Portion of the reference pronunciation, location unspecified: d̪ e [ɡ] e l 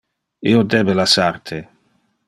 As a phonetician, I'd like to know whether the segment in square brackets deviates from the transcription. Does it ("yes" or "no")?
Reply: yes